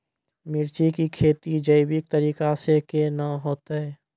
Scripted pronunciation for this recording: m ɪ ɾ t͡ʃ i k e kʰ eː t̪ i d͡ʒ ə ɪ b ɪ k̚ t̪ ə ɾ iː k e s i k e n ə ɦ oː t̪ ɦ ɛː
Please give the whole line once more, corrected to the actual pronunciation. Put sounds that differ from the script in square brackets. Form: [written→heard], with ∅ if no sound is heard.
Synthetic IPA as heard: m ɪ ɾ t͡ʃ i k [e→i] kʰ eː t̪ i d͡ʒ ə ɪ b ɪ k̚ t̪ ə ɾ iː k [e→a] s [i→e] k e n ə ɦ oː t̪ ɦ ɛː